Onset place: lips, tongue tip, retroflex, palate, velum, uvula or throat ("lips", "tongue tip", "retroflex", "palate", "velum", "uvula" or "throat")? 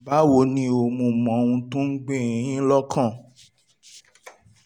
lips